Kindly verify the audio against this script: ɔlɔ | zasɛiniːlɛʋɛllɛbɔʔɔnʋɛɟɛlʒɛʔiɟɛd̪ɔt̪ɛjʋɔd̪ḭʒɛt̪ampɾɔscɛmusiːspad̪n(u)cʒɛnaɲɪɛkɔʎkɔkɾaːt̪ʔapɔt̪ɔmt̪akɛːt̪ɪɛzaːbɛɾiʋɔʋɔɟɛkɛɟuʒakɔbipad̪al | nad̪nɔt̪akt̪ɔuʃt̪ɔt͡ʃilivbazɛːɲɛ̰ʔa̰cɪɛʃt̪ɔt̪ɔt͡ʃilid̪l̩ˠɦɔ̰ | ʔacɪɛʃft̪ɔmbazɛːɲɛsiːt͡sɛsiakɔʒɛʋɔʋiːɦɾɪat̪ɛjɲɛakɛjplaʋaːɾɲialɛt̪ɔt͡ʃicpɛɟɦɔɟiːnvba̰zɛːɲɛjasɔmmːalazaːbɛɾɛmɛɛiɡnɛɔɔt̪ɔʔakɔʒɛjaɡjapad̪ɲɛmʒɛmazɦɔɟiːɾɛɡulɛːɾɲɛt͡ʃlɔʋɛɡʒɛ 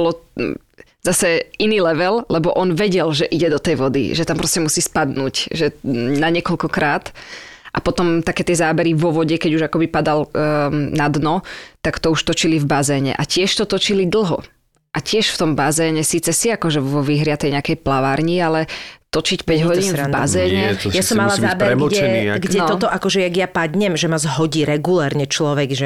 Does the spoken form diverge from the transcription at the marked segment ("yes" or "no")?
yes